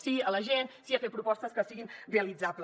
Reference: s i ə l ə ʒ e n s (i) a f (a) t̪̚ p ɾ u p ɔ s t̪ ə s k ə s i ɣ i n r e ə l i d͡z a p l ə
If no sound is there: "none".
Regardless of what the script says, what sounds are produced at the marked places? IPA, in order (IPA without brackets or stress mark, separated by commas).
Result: i, e